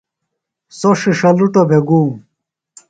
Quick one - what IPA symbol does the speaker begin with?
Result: s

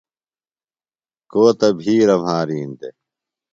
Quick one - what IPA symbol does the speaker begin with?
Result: k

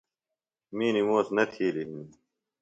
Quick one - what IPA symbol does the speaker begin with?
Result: m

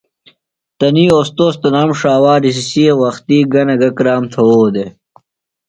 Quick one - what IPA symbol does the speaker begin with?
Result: t̪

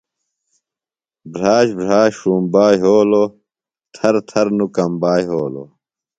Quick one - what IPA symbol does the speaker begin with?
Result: b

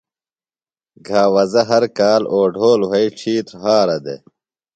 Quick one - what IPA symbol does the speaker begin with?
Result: ɡʱ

